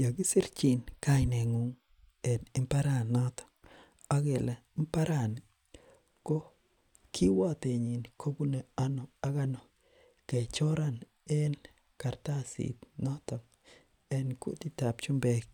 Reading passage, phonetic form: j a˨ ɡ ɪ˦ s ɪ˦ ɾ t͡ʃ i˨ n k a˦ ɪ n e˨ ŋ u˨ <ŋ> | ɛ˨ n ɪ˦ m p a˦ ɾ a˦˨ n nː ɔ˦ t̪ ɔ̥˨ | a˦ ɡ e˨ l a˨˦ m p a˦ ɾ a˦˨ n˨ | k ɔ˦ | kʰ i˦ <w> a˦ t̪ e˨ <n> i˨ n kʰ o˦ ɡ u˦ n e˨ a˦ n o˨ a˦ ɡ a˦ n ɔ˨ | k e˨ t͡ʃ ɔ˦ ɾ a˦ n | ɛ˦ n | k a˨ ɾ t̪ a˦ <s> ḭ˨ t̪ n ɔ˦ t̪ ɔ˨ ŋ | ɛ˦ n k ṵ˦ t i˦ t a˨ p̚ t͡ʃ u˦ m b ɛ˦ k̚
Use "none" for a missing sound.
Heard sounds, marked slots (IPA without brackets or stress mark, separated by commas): ŋ, w, ɲ, s